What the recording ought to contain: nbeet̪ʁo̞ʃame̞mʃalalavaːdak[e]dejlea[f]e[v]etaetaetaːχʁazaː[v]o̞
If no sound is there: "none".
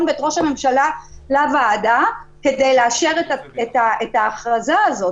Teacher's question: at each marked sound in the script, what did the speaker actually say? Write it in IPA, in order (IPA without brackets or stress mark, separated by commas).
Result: e, ʃ, ʁ, z